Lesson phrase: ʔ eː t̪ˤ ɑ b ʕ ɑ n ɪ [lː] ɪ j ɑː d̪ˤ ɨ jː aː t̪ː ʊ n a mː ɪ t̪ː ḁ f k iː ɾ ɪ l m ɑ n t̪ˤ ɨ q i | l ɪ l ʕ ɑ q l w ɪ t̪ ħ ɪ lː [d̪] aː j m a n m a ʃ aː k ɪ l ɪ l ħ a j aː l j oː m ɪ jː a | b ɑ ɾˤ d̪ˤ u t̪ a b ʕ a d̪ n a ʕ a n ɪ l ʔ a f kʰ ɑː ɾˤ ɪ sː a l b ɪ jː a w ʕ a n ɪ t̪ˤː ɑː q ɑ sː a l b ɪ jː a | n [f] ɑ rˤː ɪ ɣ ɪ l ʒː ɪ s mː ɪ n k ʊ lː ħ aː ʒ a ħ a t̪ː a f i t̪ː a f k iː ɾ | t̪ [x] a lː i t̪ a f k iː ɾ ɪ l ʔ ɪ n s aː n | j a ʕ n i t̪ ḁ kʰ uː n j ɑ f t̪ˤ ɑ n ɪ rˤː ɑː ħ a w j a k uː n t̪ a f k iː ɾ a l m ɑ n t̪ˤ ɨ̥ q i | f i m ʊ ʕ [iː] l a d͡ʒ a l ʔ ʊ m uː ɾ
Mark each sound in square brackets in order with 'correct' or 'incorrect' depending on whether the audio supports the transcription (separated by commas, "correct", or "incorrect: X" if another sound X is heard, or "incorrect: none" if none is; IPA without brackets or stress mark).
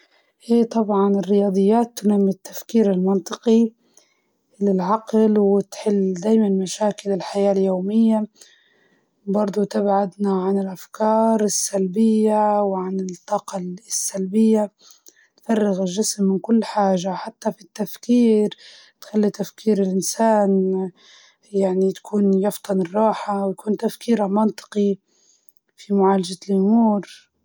incorrect: rː, correct, correct, correct, incorrect: aː